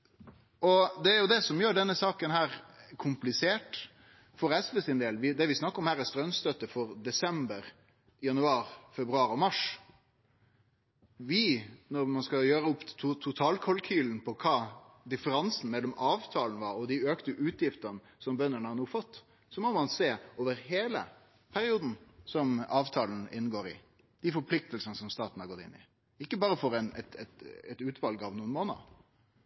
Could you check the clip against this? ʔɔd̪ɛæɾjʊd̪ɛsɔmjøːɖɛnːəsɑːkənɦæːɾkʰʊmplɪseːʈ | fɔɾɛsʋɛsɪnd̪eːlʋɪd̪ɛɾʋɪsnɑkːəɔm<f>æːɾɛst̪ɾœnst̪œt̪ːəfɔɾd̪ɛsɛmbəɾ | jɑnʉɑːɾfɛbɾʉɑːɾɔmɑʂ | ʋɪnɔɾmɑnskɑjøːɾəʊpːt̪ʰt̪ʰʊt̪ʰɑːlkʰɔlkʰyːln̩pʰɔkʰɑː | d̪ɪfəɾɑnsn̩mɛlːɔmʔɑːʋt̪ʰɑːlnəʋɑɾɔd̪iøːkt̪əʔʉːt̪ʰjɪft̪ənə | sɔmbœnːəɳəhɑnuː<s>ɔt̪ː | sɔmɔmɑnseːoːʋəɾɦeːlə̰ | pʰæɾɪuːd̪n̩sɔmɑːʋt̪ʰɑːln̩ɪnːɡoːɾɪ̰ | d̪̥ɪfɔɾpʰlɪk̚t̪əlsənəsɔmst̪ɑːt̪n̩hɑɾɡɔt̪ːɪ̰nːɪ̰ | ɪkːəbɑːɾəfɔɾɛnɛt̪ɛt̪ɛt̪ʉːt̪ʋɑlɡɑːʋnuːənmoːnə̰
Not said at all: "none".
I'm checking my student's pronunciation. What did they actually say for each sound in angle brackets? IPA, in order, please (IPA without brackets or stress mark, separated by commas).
h, f